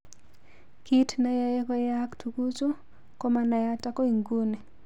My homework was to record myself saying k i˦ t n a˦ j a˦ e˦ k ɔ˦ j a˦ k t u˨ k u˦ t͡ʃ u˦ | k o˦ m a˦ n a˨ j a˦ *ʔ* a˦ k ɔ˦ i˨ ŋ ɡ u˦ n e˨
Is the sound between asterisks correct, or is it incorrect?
incorrect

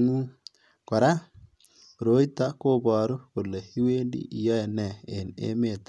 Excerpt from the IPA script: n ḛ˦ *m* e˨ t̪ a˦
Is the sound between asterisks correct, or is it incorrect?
correct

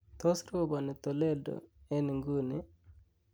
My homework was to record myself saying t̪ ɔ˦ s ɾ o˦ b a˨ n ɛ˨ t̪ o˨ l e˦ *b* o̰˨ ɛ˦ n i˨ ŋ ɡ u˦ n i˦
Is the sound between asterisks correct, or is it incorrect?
incorrect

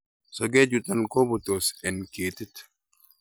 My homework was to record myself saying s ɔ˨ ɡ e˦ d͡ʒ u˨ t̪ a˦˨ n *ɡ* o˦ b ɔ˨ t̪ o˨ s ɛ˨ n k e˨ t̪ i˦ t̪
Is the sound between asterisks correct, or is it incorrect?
incorrect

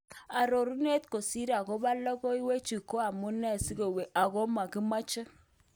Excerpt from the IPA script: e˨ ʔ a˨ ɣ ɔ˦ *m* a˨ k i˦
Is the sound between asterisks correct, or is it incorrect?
correct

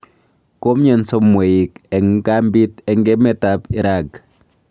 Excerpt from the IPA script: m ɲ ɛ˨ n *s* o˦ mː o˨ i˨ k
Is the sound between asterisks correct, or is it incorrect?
correct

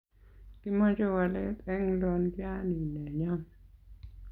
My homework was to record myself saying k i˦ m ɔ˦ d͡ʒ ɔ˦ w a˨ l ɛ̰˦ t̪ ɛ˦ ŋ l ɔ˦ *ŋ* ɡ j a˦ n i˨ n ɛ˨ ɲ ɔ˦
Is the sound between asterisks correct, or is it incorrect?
incorrect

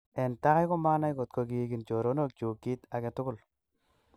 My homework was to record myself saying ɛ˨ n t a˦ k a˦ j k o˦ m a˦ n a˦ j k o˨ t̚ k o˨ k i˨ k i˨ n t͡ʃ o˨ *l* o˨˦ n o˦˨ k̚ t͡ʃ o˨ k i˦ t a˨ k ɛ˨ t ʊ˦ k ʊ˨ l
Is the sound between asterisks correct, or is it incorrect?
incorrect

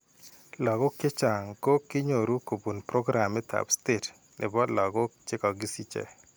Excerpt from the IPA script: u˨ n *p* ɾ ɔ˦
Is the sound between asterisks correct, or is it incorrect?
correct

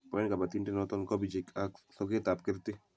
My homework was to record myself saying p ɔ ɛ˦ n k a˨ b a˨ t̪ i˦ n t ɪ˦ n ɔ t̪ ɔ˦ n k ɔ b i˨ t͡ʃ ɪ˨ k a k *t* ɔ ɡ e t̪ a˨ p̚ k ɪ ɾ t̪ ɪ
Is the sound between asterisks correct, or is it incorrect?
incorrect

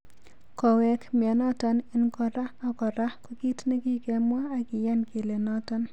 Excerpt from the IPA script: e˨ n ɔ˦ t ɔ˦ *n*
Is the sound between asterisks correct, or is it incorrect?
correct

